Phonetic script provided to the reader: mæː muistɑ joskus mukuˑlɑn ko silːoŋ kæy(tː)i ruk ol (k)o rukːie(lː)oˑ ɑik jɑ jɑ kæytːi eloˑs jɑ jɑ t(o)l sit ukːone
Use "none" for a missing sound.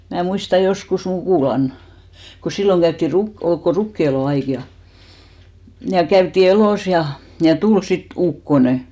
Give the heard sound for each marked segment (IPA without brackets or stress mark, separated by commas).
tː, k, l, u